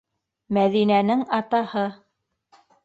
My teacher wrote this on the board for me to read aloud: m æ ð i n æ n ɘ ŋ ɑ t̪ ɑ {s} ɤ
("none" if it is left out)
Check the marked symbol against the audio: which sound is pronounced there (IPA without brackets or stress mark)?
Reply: h